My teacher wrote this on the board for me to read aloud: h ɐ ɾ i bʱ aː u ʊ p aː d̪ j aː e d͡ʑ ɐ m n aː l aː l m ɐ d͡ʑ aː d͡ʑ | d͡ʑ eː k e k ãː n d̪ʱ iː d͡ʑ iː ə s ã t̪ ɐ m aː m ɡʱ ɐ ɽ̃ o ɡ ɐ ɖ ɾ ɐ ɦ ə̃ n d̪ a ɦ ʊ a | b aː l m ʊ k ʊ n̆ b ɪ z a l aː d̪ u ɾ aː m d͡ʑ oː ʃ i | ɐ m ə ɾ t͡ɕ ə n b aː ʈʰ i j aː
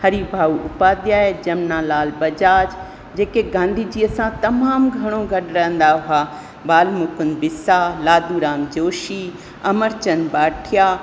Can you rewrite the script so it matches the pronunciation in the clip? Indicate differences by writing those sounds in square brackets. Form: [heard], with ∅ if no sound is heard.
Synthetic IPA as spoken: h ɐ ɾ i bʱ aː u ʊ p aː d̪ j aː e d͡ʑ ɐ m n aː l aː l [b] ɐ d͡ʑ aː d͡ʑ | d͡ʑ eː k e [ɡ] ãː n d̪ʱ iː d͡ʑ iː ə s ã t̪ ɐ m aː m ɡʱ ɐ ɽ̃ o ɡ ɐ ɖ ɾ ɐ ɦ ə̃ n d̪ a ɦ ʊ a | b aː l m ʊ k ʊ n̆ b ɪ [s] a l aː d̪ u ɾ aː m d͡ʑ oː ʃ i | ɐ m ə ɾ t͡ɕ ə n b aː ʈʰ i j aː